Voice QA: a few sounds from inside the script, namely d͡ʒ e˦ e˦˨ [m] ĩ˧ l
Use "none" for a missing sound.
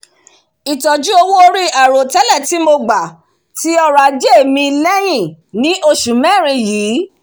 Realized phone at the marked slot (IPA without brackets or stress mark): m